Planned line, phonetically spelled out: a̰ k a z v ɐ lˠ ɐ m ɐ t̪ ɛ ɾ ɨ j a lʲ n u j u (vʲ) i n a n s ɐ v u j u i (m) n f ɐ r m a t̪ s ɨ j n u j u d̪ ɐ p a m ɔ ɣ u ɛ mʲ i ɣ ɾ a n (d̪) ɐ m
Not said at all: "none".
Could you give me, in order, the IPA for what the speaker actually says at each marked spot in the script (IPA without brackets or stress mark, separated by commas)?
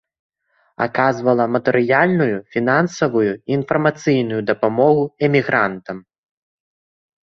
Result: fʲ, none, t̪